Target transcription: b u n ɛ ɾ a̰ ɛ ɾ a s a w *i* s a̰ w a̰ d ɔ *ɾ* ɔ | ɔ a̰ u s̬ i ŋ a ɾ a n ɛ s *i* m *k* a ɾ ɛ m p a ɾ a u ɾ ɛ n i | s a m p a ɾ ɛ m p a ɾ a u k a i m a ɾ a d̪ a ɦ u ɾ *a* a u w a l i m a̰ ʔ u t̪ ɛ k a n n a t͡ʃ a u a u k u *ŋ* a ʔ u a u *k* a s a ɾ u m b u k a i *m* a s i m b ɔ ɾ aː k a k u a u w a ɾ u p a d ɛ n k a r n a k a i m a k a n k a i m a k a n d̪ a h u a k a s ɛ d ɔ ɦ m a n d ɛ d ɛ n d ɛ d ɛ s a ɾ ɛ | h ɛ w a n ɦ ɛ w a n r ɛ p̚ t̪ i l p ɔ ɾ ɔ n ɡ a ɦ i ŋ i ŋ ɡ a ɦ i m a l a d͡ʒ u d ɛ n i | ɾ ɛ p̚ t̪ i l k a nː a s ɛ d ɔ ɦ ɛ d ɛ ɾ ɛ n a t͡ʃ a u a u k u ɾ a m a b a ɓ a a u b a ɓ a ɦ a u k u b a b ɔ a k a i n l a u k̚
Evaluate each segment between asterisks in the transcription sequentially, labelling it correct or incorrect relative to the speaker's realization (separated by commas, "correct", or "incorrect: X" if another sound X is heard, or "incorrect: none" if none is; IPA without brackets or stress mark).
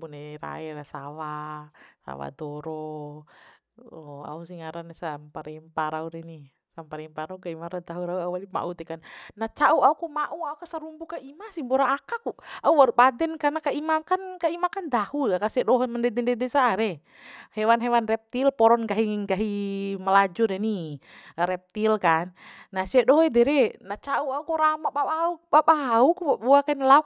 incorrect: a, correct, incorrect: a, incorrect: p, correct, incorrect: m, correct, correct